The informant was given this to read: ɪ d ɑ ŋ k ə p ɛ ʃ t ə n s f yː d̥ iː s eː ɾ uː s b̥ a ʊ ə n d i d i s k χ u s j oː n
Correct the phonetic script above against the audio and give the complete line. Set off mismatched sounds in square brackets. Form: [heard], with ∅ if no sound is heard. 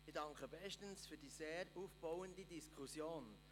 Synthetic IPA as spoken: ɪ d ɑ ŋ k ə [b] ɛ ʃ t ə n s f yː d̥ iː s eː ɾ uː [f] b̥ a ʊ ə n d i d i s k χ u s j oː n